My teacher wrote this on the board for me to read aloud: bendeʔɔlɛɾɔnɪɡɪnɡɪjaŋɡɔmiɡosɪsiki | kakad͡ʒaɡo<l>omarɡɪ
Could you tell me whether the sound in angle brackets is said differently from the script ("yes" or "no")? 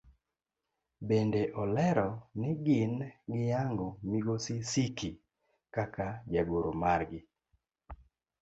yes